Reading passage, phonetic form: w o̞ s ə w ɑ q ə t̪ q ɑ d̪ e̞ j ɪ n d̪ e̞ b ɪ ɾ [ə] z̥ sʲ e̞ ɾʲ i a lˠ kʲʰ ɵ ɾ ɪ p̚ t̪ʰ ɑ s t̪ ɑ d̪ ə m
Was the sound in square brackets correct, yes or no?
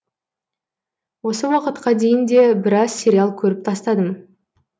no